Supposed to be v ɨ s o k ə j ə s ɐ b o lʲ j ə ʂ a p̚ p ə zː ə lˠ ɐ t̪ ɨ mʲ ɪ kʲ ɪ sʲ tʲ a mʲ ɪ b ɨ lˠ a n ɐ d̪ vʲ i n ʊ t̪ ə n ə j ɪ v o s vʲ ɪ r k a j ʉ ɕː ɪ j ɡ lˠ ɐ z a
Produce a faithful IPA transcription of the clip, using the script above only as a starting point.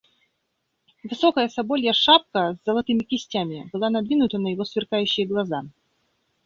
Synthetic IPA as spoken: v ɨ s o k ə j ə s ɐ b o lʲ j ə ʂ a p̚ k ə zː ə lˠ ɐ t̪ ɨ mʲ ɪ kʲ ɪ sʲ tʲ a mʲ ɪ b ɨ lˠ a n ɐ d̪ vʲ i n ʊ t̪ ə n ə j ɪ v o s vʲ ɪ r k a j ʉ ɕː ɪ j ɡ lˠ ɐ z a